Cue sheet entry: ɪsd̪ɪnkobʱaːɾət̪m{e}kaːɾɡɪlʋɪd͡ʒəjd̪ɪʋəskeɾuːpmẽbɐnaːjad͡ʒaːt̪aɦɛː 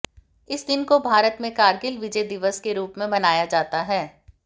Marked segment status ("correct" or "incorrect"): incorrect